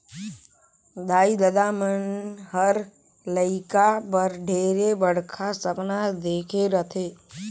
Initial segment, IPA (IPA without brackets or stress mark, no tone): d̪